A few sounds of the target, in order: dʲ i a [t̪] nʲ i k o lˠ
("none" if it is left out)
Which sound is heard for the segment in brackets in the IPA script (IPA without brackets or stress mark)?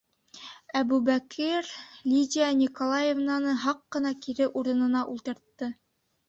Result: none